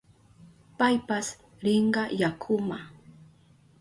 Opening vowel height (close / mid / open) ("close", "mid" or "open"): open